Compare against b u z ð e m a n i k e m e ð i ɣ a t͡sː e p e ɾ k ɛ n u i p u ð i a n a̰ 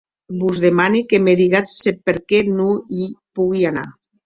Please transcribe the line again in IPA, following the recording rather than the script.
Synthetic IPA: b u z ð e m a n i k e m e ð i ɣ a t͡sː e p e ɾ k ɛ n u i p u ɣ i a n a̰

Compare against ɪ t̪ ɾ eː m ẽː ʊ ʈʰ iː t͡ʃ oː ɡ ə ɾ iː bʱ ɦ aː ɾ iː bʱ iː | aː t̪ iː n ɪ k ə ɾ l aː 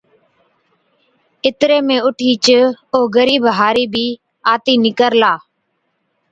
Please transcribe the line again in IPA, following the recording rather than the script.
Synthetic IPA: ɪ t̪ ɾ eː m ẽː ʊ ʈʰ iː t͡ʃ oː ɡ ə ɾ iː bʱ ɦ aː ɾ iː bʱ iː | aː t̪ iː n ɪ k ə ɾ l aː

